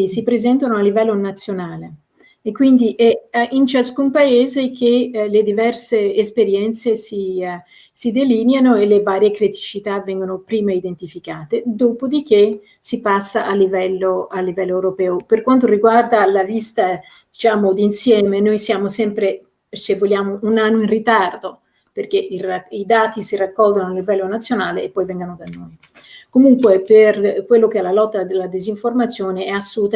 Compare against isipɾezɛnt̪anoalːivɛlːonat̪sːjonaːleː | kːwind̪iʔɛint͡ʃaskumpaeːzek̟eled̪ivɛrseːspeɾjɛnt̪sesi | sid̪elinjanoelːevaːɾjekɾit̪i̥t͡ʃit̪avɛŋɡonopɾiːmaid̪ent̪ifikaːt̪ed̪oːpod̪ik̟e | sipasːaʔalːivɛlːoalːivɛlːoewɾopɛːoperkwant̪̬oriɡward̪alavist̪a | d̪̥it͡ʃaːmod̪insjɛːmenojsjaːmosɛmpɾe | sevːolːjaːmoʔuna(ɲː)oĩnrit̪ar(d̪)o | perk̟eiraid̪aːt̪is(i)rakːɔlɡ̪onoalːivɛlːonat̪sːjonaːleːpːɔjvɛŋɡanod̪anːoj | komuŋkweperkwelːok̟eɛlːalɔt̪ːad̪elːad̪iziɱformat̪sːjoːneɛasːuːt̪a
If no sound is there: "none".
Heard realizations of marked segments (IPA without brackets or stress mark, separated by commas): nː, d̪, i